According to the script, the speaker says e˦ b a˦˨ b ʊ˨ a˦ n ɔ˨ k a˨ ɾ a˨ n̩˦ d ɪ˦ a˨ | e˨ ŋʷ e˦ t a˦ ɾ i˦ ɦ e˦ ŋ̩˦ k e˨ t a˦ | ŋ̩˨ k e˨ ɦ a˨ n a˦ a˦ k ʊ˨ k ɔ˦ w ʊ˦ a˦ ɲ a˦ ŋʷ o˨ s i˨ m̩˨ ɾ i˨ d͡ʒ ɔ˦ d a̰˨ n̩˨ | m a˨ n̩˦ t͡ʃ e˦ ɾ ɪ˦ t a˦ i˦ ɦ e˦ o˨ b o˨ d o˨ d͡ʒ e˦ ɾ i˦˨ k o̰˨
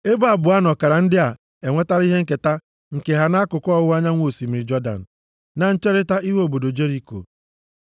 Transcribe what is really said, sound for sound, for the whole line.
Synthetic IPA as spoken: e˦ b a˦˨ b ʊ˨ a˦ n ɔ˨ k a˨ ɾ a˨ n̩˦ d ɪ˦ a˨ | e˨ ŋʷ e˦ t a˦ ɾ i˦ ɦ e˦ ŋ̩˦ k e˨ t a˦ | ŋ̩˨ k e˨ ɦ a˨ n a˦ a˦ k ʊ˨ k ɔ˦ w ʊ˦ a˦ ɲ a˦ ŋʷ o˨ s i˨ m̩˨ ɾ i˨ d͡ʒ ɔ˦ d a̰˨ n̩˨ | n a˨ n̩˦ t͡ʃ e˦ ɾ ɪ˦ t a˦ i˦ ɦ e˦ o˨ b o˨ d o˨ d͡ʒ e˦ ɾ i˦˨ k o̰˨